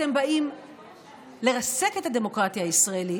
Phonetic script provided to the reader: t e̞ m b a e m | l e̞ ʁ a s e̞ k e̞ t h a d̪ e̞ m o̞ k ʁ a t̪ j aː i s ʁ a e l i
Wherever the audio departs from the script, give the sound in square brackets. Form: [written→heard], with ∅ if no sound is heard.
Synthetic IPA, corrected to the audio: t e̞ m b a [e→i] m | l e̞ ʁ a s e̞ k e̞ t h a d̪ e̞ m o̞ k ʁ a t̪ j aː i s ʁ a e l i